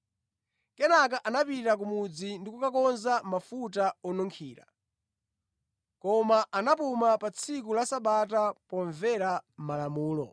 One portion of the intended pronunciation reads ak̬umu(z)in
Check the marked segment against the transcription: incorrect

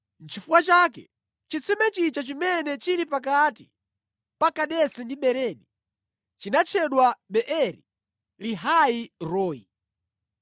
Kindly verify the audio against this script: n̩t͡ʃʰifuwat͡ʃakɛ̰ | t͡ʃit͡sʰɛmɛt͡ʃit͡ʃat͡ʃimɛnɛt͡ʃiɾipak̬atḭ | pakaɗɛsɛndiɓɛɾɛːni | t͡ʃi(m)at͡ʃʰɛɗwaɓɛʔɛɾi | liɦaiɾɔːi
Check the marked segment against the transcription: incorrect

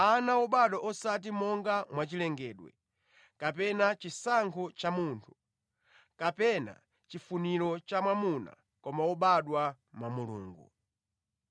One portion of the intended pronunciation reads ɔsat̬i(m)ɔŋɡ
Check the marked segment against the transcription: correct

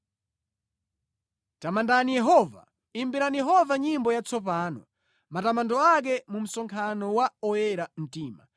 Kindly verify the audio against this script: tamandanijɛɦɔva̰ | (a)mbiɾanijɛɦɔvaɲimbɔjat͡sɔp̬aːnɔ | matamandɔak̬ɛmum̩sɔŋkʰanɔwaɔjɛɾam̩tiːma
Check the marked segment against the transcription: incorrect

